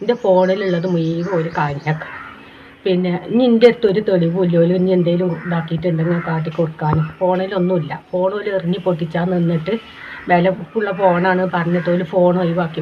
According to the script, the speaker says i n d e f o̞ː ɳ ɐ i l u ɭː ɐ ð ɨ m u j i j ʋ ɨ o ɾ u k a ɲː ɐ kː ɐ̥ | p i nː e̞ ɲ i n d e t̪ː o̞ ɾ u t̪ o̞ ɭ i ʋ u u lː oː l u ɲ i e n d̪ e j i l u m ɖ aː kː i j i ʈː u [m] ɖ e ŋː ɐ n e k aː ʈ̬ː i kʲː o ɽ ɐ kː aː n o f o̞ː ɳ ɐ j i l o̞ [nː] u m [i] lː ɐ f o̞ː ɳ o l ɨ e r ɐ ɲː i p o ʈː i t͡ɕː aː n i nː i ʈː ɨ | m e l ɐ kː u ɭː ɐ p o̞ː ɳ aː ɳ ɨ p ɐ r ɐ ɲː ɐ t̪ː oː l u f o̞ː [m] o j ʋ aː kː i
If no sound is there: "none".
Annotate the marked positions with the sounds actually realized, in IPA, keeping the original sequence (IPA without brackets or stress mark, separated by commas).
ɳ, nː, i, ɳ